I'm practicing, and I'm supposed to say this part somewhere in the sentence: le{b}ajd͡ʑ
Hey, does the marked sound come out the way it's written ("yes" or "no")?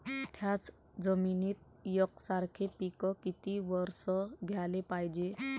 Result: no